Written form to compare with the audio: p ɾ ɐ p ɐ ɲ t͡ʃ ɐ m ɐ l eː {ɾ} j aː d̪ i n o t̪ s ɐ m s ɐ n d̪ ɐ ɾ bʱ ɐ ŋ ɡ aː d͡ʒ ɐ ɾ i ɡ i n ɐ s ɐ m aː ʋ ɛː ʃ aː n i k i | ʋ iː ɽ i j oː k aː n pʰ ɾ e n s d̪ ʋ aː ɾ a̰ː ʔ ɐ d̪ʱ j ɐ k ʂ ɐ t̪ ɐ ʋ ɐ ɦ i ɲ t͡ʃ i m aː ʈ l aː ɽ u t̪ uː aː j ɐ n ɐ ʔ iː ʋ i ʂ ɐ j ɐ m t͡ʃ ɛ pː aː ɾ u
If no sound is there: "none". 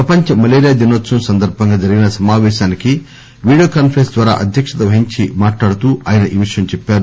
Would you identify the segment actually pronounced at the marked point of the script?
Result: ɾ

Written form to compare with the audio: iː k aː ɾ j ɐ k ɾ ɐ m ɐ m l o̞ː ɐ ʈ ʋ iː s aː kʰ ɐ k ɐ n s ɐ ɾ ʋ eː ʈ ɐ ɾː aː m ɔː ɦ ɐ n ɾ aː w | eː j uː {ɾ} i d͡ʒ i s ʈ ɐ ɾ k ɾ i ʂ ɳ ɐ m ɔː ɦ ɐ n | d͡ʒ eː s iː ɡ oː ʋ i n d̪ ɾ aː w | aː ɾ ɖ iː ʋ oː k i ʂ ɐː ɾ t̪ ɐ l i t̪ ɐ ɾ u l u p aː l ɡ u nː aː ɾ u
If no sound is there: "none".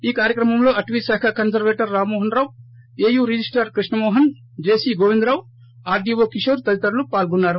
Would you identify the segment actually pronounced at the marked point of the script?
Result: ɾ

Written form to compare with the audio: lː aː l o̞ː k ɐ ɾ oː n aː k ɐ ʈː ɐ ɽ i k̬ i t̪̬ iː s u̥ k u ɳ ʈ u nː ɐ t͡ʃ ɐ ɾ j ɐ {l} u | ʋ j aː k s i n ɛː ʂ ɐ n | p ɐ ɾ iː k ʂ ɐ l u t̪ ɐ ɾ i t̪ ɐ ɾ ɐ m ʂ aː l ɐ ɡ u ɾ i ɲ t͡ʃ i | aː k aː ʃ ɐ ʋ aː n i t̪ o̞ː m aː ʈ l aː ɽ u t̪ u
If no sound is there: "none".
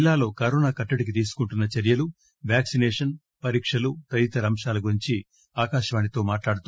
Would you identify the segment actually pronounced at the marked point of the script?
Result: l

